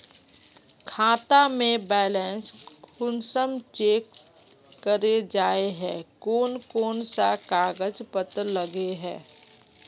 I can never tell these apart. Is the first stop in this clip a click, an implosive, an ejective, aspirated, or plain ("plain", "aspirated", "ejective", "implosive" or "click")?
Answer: aspirated